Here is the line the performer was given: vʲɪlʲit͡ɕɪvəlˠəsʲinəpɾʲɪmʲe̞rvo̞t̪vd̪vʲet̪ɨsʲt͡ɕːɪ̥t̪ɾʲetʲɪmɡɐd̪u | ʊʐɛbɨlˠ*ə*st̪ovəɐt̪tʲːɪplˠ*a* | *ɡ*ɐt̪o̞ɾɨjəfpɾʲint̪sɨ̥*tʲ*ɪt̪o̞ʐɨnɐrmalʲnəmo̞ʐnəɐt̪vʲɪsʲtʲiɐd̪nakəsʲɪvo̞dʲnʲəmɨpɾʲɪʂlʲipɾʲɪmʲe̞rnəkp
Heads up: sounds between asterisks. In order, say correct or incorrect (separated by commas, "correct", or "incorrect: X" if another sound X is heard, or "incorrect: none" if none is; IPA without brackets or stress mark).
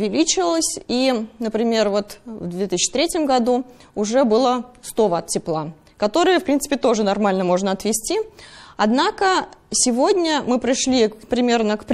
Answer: correct, correct, incorrect: k, incorrect: pʲ